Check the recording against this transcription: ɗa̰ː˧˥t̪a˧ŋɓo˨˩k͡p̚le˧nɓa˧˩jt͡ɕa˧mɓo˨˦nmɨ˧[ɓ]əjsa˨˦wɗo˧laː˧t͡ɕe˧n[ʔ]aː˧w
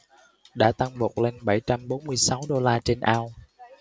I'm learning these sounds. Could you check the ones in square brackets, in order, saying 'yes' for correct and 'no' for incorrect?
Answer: no, yes

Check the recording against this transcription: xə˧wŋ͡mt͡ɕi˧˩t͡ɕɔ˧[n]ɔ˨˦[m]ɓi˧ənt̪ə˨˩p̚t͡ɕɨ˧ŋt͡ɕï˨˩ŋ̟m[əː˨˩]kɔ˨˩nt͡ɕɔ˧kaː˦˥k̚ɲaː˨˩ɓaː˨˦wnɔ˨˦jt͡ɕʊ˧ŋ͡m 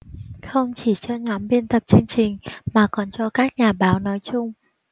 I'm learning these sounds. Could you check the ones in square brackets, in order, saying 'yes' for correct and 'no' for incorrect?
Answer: no, yes, no

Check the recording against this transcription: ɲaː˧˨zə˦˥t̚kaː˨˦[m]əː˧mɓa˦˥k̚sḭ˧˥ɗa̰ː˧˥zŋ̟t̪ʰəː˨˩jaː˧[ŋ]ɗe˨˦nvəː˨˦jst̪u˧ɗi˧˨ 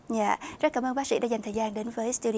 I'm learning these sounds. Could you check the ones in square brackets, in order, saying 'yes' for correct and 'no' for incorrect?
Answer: yes, no

